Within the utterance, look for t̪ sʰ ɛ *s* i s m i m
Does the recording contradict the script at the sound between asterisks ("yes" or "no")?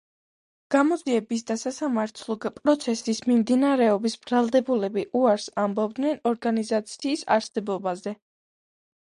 no